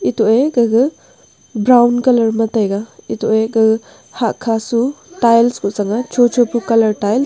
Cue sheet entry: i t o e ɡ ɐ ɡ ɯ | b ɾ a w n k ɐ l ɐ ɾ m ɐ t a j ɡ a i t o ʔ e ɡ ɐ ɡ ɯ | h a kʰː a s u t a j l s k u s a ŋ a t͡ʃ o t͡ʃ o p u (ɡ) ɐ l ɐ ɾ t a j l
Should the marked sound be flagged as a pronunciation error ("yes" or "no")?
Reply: yes